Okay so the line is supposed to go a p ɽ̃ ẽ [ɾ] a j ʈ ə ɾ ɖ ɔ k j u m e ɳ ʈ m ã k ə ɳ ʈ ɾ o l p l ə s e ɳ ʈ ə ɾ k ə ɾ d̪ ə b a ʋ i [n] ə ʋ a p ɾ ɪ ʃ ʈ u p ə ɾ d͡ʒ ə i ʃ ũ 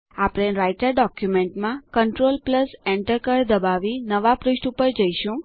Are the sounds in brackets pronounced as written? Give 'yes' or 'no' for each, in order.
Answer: yes, yes

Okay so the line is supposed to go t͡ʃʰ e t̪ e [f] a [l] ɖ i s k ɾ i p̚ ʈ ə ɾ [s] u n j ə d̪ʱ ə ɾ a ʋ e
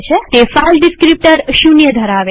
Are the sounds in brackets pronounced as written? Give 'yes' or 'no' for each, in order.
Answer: yes, yes, no

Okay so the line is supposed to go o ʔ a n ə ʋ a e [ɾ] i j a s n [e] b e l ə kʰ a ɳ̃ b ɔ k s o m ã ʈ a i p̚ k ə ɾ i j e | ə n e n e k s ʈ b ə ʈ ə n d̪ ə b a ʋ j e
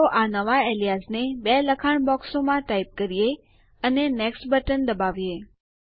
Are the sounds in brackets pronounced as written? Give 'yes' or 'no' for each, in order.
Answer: no, yes

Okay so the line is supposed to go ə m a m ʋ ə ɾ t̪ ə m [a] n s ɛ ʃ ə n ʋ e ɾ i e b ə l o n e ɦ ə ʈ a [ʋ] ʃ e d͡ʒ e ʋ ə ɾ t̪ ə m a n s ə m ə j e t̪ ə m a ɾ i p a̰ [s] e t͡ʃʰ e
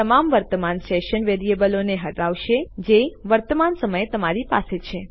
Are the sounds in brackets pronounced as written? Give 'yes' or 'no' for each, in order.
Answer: yes, yes, yes

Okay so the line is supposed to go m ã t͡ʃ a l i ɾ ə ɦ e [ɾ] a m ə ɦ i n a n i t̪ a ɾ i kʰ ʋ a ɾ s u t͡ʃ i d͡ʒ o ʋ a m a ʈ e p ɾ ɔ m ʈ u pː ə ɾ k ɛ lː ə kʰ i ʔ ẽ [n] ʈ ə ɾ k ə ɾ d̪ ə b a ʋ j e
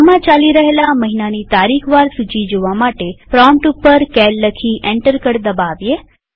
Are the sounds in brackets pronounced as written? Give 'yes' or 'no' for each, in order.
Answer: no, no

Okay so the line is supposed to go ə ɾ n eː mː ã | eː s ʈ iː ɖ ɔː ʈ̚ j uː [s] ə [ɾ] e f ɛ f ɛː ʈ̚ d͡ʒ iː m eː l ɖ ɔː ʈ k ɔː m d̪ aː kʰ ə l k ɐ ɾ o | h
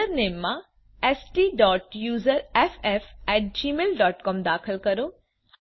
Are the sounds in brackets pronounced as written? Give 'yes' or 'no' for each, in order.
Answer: no, yes

